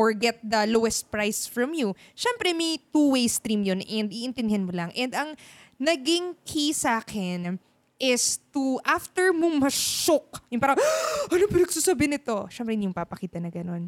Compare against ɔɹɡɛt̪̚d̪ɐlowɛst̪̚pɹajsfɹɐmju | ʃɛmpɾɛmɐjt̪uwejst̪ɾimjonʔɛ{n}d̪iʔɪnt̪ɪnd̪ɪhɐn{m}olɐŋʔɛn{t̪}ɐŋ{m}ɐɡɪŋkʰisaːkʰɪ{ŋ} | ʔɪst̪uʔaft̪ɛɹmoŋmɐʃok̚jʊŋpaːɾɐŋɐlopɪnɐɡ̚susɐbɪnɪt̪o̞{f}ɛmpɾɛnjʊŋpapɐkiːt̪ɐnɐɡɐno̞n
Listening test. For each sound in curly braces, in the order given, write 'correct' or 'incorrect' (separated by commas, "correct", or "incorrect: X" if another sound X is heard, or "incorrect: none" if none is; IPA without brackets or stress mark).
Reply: correct, correct, incorrect: d̪, incorrect: n, incorrect: n, incorrect: ʃ